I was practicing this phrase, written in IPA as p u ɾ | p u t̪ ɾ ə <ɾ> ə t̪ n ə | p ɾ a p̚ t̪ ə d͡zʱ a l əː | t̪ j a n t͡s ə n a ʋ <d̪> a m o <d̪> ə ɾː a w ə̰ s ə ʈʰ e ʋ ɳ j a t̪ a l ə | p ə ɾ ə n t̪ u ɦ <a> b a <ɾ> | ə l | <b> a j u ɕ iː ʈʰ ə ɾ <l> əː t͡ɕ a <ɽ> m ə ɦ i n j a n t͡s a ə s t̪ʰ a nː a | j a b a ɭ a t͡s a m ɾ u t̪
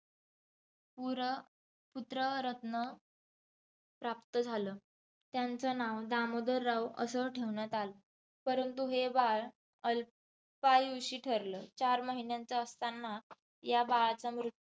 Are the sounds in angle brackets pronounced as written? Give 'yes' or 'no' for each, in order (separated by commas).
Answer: yes, yes, yes, no, no, no, yes, no